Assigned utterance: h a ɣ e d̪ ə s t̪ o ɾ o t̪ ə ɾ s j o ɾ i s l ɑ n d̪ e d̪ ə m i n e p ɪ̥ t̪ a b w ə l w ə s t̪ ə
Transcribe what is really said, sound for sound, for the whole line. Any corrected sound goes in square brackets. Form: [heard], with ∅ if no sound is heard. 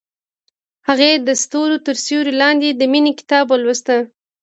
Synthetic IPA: h a ɣ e d̪ ə s t̪ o ɾ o t̪ ə ɾ s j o ɾ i [∅] l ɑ n d̪ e d̪ ə m i n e [k] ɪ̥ t̪ [ɑ] b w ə l w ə s t̪ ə

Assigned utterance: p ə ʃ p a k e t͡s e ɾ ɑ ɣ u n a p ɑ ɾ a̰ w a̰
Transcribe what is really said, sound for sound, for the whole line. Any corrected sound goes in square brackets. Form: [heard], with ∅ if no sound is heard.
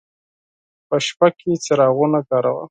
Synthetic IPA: p ə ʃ p a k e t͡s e ɾ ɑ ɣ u n a [k] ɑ ɾ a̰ w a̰

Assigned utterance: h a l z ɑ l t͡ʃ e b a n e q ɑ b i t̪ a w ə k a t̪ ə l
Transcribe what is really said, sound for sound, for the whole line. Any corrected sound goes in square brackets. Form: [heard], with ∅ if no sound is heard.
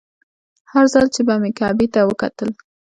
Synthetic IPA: h a [ɾ] z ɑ l t͡ʃ e b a [m] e [k] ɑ b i t̪ a w ə k a t̪ ə l

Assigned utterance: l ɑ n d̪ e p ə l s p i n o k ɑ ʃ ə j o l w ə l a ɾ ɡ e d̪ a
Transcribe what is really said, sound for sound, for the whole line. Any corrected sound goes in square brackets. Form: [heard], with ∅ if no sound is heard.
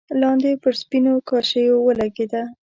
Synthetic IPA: l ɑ n d̪ e p ə [ɾ] s p i n o k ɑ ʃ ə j o [∅] w ə l a [∅] ɡ e d̪ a

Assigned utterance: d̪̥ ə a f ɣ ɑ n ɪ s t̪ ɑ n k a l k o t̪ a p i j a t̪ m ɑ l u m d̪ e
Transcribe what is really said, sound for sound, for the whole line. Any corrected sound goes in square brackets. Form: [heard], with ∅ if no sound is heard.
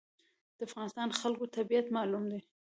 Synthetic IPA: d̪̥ ə a f ɣ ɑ n ɪ s t̪ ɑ n [x] a l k o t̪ a [b] i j a t̪ m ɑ l u m d̪ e

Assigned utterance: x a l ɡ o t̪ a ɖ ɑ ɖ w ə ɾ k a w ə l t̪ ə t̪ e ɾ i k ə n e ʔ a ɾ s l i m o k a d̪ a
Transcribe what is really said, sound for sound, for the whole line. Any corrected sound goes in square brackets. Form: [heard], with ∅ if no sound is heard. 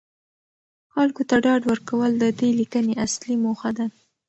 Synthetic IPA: x a l [k] o t̪ a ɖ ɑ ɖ w ə ɾ k a w ə l [d̪] ə [d̪] e [l] i k ə n e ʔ a [∅] s l i m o [x] a d̪ a

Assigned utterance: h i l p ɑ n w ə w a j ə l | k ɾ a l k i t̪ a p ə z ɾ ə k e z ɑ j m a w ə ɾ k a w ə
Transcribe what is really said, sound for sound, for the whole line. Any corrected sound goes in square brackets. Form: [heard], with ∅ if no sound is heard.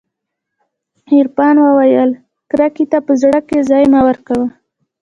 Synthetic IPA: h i [ɾ] p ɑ n w ə w a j ə l | k ɾ a [∅] k i t̪ a p ə z [ɽ] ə k e z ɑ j m a w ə ɾ k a w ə

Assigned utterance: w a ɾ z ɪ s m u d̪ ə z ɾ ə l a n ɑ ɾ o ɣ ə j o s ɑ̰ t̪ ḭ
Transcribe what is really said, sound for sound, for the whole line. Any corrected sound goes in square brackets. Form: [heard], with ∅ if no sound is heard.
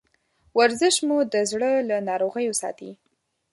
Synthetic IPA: w a ɾ z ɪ [ʃ] m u d̪ ə z [ɽ] ə l a n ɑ ɾ o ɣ ə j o s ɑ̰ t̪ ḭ

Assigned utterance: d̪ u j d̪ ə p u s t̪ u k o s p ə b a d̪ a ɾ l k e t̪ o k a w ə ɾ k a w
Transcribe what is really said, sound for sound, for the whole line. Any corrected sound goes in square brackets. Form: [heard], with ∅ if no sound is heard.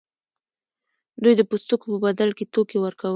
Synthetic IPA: d̪ u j d̪ ə p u s t̪ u k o [∅] p ə b a d̪ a [∅] l k e t̪ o k [e] w ə ɾ k a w

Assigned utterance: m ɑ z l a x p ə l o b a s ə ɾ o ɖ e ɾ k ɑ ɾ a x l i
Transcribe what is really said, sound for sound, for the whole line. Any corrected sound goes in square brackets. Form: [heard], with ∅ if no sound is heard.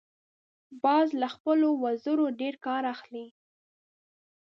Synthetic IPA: [b] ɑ z l a x p ə l o [w] a [z] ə ɾ o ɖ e ɾ k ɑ ɾ a x l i

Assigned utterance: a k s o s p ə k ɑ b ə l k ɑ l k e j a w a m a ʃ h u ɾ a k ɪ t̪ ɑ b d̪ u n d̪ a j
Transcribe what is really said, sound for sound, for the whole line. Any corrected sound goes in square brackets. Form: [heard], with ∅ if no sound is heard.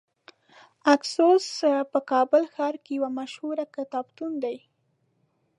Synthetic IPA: a k s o s p ə k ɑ b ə l [x] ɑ [ɾ] k e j a w a m a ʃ h u ɾ a k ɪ t̪ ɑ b [t̪] u n d̪ a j

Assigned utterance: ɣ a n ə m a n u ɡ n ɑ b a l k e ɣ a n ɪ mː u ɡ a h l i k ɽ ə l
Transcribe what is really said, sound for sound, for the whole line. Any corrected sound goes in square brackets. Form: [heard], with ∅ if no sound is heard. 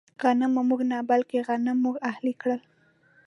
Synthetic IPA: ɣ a n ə m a [m] u ɡ n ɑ b a l k e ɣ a n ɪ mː u ɡ a h l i k ɽ ə l

